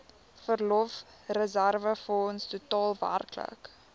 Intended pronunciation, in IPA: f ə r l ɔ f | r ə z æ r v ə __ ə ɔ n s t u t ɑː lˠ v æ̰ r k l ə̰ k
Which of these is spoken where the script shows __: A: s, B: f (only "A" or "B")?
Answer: B